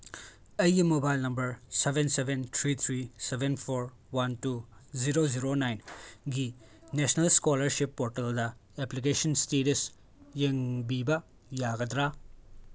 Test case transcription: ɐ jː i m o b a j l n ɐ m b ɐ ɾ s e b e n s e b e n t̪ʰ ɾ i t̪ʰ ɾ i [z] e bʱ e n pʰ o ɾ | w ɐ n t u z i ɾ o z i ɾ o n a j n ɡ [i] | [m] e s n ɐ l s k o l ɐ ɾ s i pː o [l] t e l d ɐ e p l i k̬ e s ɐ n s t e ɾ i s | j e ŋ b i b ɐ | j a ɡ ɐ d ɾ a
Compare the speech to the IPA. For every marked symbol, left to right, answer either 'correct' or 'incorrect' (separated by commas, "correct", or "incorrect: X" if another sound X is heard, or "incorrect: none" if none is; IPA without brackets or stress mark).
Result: incorrect: s, correct, incorrect: n, incorrect: ɾ